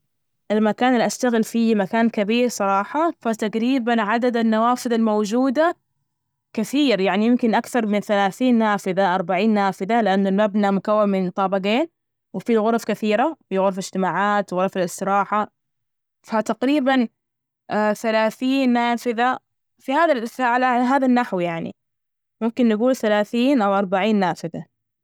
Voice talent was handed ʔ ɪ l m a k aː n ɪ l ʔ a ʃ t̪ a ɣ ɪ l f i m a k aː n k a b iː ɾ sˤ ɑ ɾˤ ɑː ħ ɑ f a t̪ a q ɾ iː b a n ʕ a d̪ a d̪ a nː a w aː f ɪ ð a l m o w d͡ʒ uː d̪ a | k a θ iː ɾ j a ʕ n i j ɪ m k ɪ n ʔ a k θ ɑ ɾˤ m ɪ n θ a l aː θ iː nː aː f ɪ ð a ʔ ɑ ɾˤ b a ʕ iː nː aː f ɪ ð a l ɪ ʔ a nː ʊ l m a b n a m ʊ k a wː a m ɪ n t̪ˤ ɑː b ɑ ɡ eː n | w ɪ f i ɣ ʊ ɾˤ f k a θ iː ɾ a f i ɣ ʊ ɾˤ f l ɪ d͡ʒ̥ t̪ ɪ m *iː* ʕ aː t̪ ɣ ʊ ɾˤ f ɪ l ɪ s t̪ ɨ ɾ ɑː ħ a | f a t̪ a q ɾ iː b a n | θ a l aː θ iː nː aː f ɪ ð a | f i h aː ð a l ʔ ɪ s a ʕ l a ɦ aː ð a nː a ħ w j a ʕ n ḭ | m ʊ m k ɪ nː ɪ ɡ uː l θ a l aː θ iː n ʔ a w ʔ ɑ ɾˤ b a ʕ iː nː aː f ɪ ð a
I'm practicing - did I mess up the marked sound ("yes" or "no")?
yes